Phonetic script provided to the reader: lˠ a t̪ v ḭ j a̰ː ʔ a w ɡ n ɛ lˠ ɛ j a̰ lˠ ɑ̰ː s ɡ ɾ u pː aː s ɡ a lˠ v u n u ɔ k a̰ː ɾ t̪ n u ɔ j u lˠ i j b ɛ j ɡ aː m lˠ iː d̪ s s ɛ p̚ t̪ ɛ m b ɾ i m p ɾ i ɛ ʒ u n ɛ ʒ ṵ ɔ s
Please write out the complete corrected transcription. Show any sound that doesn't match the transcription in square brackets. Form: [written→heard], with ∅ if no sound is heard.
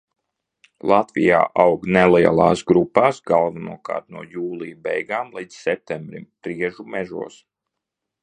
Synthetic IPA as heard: lˠ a t̪ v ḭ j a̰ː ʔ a w ɡ n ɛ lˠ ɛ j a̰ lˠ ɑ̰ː s ɡ ɾ u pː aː s ɡ a lˠ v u n u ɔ k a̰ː ɾ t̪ n u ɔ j [u→uː] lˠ i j b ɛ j ɡ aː m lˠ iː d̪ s s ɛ p̚ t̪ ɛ m b ɾ i m p ɾ i ɛ ʒ u [n→m] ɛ ʒ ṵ ɔ s

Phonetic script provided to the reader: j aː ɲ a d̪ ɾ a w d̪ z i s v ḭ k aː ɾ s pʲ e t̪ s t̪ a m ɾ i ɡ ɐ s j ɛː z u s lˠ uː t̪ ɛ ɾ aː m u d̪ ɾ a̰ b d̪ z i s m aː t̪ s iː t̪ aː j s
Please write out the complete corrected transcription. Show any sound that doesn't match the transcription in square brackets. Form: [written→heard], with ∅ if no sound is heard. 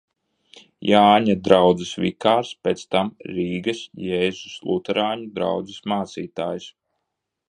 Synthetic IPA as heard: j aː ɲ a d̪ ɾ a w d̪ z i s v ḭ k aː ɾ s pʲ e t̪ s t̪ a m ɾ [i→iː] ɡ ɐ s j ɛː z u s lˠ [uː→u] t̪ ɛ ɾ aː [m→ɲ] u d̪ ɾ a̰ [b→w] d̪ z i s m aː t̪ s iː t̪ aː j s

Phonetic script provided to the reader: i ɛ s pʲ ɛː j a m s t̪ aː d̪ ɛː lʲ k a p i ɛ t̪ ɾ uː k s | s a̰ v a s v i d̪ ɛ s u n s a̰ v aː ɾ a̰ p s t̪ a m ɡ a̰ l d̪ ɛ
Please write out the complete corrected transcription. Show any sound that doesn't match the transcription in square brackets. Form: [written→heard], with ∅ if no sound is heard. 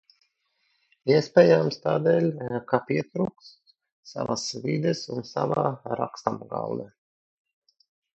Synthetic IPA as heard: i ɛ s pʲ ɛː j a m s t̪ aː d̪ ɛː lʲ k a p i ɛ t̪ ɾ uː k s | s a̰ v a s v i d̪ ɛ s u n s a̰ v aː ɾ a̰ [p→k] s t̪ a m ɡ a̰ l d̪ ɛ

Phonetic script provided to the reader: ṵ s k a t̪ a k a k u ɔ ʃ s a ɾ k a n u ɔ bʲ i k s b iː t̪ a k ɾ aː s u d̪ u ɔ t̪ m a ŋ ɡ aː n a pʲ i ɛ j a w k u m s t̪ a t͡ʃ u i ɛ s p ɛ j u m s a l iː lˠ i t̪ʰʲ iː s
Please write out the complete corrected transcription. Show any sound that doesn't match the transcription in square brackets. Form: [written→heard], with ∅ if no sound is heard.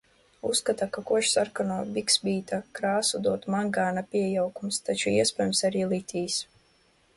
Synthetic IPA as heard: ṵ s k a t̪ a k a k u ɔ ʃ s a ɾ k a n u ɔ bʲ i k s b iː t̪ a k ɾ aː s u d̪ u ɔ t̪ m a ŋ ɡ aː n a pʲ i ɛ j a w k u m s t̪ a t͡ʃ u i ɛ s p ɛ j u m s a [l→ɾ] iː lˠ i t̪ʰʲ iː s

